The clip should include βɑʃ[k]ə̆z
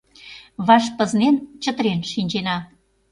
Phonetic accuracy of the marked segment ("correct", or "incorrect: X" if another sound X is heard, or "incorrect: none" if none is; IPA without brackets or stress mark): incorrect: p